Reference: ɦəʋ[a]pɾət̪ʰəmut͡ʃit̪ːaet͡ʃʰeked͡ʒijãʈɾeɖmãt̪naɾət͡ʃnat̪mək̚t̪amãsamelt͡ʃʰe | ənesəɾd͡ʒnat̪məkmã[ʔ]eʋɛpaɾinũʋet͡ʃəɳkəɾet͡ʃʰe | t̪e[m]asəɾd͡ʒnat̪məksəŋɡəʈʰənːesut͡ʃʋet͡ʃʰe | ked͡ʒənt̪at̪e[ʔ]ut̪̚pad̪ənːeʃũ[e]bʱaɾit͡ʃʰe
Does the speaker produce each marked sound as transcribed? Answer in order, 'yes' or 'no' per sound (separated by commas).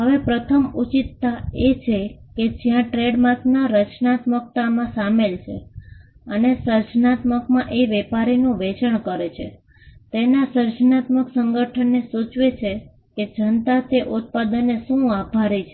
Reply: no, yes, no, yes, no